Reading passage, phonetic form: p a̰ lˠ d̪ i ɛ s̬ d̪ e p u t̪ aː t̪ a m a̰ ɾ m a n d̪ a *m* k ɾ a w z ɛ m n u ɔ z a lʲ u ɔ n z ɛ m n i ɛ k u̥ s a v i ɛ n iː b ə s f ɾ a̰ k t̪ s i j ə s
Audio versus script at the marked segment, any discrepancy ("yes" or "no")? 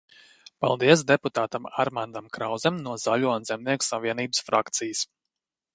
no